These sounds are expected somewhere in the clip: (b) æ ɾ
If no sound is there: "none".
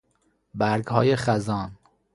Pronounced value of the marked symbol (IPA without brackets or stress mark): b